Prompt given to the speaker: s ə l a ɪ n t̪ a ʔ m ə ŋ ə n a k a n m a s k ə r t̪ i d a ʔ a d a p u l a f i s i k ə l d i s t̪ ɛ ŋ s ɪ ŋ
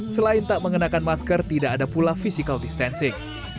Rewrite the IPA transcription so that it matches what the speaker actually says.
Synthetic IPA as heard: s ə l a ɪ n t̪ a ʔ m ə ŋ ə n a k a n m a s k ə r t̪ i d a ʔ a d a p u l a f i s i k a l d i s t̪ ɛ n s ɪ ŋ